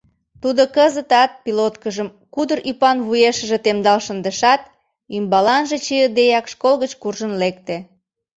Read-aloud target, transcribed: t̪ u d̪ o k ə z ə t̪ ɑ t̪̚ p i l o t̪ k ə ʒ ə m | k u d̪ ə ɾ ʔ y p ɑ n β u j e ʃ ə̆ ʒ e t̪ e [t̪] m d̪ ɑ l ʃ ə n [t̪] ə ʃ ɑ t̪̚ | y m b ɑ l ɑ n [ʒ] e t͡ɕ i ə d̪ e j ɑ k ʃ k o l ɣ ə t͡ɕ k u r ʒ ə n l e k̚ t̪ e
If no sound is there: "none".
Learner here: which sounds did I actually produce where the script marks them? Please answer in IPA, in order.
none, d̪, ʒ

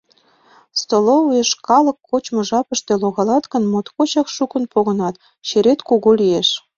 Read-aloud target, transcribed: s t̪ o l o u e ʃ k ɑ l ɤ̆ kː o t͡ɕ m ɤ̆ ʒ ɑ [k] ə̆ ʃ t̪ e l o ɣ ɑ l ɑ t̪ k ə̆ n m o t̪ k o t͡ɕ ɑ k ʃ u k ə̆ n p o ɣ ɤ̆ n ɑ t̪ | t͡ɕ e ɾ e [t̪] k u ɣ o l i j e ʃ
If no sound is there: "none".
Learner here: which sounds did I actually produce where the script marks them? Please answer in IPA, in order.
p, t̪

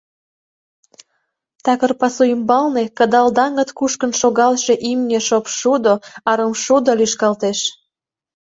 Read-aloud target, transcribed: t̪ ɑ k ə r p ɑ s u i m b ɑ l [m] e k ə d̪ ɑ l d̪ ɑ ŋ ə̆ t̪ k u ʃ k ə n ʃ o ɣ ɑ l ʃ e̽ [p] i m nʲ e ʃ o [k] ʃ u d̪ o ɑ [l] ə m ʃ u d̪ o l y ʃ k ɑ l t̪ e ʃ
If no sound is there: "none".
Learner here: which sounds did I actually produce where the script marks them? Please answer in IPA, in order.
n, ʔ, p, ɾ

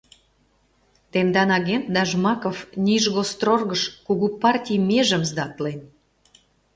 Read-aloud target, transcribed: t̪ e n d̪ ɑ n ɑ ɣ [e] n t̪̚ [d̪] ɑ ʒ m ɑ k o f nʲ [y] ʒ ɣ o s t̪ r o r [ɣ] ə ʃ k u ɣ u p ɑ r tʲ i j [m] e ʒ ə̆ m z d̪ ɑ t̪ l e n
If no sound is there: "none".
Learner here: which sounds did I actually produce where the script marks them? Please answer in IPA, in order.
e, d̪, i, ɣ, m

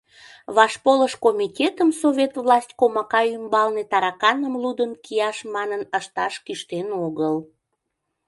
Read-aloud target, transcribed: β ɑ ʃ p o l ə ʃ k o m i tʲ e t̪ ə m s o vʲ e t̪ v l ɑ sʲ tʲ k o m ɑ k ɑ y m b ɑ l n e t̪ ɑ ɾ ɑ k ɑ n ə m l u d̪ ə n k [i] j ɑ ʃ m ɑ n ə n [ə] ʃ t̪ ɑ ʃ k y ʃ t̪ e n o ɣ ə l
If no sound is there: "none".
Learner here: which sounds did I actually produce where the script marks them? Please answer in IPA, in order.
i, ə

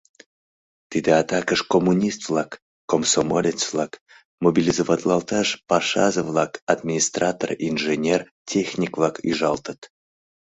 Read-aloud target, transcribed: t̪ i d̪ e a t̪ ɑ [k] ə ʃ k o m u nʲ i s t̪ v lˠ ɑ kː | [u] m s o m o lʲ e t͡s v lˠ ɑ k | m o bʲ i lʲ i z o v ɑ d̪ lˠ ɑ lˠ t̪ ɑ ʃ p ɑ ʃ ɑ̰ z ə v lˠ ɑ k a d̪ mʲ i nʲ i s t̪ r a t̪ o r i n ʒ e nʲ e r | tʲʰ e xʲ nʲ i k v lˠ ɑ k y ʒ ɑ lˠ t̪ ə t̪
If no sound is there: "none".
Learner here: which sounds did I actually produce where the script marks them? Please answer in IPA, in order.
k, o

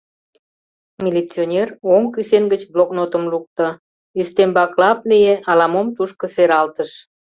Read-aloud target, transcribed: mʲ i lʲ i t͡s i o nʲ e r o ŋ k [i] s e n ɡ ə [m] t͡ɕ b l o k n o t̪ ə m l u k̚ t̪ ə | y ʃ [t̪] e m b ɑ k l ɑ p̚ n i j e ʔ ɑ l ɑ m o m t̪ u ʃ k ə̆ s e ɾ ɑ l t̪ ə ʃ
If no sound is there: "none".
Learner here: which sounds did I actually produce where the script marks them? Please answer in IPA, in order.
y, none, t̪

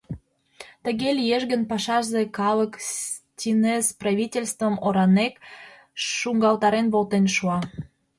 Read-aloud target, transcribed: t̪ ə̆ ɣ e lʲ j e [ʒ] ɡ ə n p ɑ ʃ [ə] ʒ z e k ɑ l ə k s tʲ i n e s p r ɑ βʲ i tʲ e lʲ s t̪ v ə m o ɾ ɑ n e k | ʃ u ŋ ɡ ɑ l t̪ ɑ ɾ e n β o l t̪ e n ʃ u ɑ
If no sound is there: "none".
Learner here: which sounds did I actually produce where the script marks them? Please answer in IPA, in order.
ʒ, ɑ

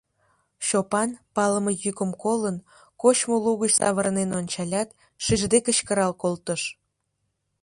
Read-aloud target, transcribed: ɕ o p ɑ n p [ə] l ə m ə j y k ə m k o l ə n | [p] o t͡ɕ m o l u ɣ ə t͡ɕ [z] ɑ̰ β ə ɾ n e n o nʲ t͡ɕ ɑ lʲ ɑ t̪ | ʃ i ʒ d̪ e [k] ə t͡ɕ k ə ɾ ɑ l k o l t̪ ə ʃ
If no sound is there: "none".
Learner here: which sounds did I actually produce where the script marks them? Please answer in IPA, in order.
ɑ, k, s, k

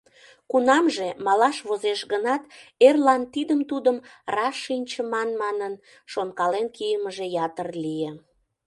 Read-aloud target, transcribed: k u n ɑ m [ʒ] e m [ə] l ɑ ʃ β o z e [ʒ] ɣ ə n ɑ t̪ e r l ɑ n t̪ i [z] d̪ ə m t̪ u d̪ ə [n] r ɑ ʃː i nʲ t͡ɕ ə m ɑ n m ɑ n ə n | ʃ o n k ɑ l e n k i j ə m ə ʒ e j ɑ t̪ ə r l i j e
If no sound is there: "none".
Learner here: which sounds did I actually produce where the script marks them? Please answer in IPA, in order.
ʒ, ɑ, ʃ, none, m

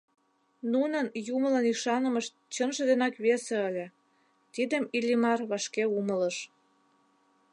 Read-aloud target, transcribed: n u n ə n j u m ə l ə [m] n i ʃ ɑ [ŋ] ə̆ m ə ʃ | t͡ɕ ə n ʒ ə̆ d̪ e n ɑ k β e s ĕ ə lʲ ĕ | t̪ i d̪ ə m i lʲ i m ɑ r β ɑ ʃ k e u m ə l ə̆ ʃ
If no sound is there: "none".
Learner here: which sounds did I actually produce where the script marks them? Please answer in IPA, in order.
none, n

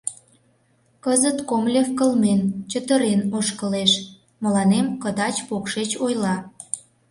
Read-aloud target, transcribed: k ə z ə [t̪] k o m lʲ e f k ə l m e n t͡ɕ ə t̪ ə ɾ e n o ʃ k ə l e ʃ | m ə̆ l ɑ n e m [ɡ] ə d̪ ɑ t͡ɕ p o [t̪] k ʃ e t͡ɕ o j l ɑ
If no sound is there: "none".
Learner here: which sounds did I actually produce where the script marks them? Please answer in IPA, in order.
t̪, k, none

